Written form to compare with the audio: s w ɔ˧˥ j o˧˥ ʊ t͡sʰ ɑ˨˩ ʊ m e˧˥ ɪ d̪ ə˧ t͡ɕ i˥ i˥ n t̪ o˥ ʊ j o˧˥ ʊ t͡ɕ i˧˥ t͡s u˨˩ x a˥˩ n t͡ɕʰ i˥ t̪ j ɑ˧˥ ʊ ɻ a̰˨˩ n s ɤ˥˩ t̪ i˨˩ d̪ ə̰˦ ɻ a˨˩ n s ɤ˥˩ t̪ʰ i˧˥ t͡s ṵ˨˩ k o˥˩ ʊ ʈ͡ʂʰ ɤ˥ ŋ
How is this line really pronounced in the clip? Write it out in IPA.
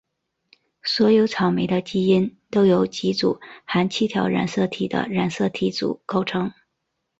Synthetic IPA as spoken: s w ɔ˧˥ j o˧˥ ʊ t͡sʰ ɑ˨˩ ʊ m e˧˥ ɪ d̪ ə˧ t͡ɕ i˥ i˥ n t̪ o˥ ʊ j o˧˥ ʊ t͡ɕ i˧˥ t͡s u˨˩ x a˧˥ n t͡ɕʰ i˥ t̪ʰ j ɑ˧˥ ʊ ɻ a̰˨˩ n s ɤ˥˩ t̪ʰ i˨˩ d̪ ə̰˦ ɻ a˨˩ n s ɤ˥˩ t̪ʰ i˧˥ t͡s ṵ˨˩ k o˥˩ ʊ ʈ͡ʂʰ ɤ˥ ŋ